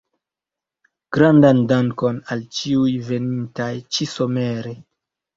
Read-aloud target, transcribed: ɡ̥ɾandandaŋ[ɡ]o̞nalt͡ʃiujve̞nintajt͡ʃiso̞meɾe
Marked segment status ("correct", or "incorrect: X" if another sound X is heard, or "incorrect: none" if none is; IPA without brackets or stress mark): incorrect: k